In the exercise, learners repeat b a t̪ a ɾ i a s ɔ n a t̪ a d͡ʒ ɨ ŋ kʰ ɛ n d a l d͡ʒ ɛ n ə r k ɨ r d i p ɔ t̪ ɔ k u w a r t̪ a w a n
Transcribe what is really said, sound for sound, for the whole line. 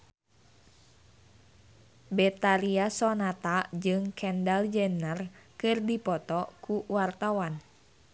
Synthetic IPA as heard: b ɛ t̪ a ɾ i a s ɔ n a t̪ a d͡ʒ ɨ ŋ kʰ ɛ n d a l d͡ʒ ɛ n ə r k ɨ r d i p ɔ t̪ ɔ k u w a r t̪ a w a n

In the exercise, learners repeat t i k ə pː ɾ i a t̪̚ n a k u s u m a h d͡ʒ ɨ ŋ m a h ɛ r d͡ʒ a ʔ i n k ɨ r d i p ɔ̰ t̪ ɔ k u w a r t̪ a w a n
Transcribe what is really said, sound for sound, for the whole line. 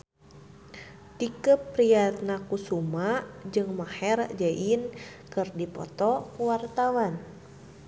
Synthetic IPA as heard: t i k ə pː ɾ i a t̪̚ n a k u s u m a d͡ʒ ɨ ŋ m a h ɛ r d͡ʒ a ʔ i n k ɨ r d i p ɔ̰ t̪ ɔ k u w a r t̪ a w a n

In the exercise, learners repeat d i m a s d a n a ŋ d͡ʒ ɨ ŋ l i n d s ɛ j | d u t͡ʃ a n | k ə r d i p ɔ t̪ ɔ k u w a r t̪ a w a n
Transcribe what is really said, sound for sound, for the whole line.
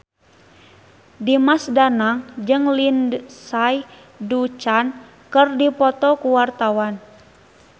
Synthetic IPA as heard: d i m a s d a n a ŋ d͡ʒ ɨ ŋ l i n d s a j | d u t͡ʃ a n | k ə r d i p ɔ t̪ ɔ k u w a r t̪ a w a n

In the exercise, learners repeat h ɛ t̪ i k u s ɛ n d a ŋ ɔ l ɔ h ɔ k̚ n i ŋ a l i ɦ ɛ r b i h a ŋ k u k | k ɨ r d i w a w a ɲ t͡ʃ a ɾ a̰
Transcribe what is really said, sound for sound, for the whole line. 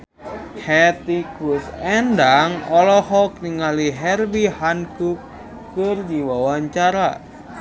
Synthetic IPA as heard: h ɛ t̪ i k u s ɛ n d a ŋ ɔ l ɔ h ɔ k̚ n i ŋ a l i ɦ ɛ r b i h a n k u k | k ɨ r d i w a w a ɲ t͡ʃ a ɾ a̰

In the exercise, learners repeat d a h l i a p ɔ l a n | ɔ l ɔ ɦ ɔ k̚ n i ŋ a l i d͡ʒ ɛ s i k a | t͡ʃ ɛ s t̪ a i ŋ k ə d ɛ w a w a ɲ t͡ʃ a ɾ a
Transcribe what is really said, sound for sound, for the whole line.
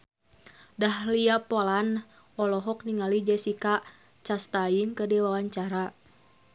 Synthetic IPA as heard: d a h l i a p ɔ l a n | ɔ l ɔ ɦ ɔ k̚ n i ŋ a l i d͡ʒ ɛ s i k a | t͡ʃ a s t̪ a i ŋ k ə d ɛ w a w a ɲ t͡ʃ a ɾ a

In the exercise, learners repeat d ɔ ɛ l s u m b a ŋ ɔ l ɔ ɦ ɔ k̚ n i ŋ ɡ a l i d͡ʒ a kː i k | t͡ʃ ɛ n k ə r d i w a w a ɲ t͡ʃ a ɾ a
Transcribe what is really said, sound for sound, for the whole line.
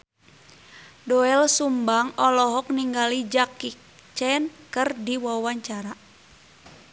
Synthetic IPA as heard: d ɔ ɛ l s u m b a ŋ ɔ l ɔ ɦ ɔ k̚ n i ŋ ɡ a l i d͡ʒ a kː i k | t͡ʃ ɛ n k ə r d i w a w a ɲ t͡ʃ a ɾ a

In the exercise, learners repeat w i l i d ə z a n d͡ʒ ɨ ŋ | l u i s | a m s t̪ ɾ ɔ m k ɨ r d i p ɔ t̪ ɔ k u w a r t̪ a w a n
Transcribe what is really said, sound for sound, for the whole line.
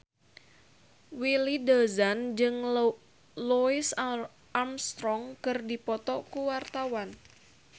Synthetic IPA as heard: w i l i d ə z a n d͡ʒ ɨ ŋ | l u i s | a m s t̪ ɾ ɔ ŋ k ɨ r d i p ɔ t̪ ɔ k u w a r t̪ a w a n

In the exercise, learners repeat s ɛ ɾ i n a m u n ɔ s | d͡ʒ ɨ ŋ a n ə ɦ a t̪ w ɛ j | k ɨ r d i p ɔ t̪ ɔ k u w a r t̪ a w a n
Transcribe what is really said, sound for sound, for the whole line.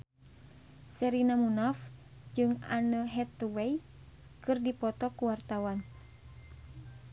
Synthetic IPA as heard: s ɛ ɾ i n a m u n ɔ f | d͡ʒ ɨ ŋ a n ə ɦ ɛ t̪ w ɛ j | k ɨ r d i p ɔ t̪ ɔ k u w a r t̪ a w a n

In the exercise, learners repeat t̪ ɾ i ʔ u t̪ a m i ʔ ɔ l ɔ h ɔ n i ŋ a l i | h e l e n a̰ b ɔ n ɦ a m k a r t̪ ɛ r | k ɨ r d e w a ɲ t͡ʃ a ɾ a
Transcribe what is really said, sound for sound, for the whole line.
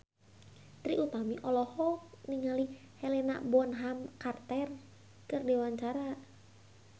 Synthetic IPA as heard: t̪ ɾ i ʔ u t̪ a m i ʔ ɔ l ɔ h ɔ n i ŋ a l i | h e l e n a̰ b ɔ n ɦ a m k a r t̪ ɛ r | k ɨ r d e w a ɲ t͡ʃ a ɾ a

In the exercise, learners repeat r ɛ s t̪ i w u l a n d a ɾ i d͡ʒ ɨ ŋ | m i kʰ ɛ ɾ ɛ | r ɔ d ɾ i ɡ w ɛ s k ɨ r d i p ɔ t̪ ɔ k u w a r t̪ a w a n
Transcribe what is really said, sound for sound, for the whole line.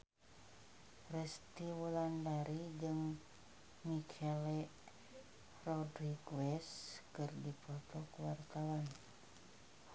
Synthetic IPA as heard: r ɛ s t̪ i w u l a n d a ɾ i d͡ʒ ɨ ŋ | m i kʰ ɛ l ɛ | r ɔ d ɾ i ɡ w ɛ s k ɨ r d i p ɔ t̪ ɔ k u w a r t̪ a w a n

